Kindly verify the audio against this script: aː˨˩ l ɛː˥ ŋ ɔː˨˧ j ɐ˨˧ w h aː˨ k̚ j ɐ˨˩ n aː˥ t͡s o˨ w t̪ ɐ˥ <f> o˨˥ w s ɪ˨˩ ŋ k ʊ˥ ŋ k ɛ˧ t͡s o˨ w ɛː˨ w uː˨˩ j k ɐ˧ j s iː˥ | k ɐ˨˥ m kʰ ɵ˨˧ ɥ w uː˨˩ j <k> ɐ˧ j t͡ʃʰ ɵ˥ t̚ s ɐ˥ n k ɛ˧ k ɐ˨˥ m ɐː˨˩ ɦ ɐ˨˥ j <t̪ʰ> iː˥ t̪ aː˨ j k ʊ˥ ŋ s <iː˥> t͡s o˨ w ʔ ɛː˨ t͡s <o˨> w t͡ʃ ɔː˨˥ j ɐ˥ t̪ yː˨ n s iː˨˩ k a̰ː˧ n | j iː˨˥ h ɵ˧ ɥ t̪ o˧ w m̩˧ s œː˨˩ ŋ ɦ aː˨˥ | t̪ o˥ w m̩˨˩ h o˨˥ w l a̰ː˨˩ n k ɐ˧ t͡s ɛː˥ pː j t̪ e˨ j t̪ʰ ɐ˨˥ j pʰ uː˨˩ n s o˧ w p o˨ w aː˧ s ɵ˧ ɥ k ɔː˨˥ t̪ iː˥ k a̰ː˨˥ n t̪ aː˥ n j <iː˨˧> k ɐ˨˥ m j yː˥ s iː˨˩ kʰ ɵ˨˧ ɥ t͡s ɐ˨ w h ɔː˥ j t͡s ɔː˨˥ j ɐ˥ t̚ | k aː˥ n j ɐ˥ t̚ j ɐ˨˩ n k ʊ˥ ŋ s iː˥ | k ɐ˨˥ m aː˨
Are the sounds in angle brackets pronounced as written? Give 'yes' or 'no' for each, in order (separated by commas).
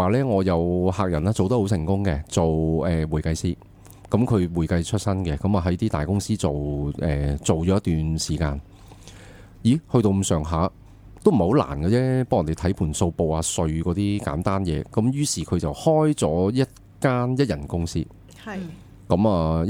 no, yes, no, yes, yes, no